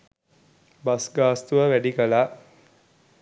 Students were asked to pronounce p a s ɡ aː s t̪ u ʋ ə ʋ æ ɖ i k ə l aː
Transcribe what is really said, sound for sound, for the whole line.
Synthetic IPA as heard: b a s ɡ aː s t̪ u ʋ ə ʋ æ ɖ i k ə l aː